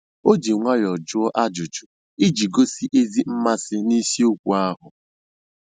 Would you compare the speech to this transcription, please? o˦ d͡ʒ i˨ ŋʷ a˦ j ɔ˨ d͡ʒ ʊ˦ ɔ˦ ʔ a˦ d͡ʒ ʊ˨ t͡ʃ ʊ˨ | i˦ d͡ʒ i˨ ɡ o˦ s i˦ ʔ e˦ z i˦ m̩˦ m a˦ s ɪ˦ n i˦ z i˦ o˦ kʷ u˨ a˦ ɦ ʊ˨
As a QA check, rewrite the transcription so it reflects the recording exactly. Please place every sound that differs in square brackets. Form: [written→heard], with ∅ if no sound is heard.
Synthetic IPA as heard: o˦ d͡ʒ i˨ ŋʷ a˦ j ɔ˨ d͡ʒ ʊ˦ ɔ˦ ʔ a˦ d͡ʒ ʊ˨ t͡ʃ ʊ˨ | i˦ d͡ʒ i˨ ɡ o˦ s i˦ ʔ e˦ z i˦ m̩˦ m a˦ s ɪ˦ n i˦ [z→s] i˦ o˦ kʷ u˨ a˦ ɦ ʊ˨